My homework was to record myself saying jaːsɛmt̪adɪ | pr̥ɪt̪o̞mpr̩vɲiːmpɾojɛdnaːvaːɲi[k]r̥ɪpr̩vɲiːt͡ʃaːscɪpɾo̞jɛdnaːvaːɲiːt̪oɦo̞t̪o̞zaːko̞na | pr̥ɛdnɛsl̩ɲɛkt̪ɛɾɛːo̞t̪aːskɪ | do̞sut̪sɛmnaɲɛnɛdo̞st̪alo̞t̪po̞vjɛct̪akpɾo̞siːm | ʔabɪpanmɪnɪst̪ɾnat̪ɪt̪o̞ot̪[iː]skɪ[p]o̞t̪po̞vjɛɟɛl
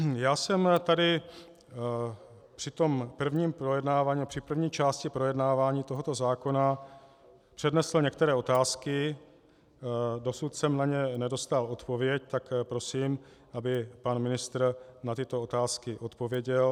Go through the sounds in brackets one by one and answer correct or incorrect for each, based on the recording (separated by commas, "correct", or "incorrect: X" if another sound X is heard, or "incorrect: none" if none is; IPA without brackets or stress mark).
incorrect: p, incorrect: aː, incorrect: ʔ